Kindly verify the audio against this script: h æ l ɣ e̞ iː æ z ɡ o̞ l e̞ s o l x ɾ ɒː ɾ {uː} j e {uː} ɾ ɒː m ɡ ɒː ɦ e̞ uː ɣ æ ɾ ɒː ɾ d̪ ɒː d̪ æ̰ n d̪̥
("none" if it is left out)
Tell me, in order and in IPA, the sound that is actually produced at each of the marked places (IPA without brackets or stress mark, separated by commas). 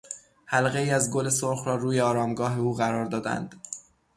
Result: uː, ɒː